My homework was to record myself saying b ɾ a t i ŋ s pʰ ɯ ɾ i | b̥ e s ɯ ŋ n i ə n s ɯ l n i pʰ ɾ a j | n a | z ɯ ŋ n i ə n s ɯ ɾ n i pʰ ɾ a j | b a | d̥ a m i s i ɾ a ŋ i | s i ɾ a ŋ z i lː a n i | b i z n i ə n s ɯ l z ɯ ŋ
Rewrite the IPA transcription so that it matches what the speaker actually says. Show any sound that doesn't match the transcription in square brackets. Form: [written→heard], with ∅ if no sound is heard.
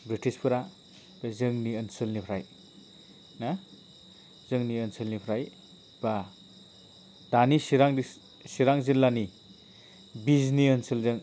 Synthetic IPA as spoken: b ɾ [a→i] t i [ŋ→∅] s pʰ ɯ ɾ [i→a] | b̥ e [s→z] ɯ ŋ n i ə n s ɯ l n i pʰ ɾ a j | n a | z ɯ ŋ n i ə n s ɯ [ɾ→l] n i pʰ ɾ a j | b a | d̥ a [m→n] i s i ɾ a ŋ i | s i ɾ a ŋ z i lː a n i | b i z n i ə n s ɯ l z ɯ ŋ

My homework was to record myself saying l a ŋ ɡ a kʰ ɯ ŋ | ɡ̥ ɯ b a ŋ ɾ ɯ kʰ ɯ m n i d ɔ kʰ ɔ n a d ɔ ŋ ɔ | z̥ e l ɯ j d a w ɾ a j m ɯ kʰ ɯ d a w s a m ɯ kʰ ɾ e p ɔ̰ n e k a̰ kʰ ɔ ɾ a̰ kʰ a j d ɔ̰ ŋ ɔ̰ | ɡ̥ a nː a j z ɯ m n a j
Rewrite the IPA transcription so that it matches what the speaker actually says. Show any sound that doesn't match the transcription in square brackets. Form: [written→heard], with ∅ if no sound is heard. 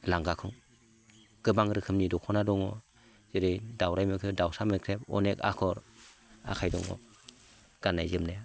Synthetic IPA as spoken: l a ŋ ɡ a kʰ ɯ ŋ | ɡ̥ ɯ b a ŋ ɾ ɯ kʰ ɯ m n i d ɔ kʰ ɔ n a d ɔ ŋ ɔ | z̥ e [l→ɾ] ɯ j d a w ɾ a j m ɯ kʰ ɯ d a w s a m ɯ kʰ ɾ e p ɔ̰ n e k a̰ kʰ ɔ ɾ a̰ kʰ a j d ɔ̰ ŋ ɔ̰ | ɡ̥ a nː a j z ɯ m n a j

